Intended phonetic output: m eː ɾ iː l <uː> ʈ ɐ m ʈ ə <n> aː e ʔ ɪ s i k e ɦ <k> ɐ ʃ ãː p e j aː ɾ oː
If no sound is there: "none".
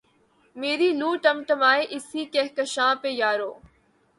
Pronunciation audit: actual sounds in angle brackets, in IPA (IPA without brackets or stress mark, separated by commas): uː, m, k